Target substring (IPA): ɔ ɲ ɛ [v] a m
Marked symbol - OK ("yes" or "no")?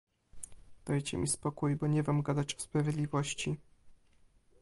yes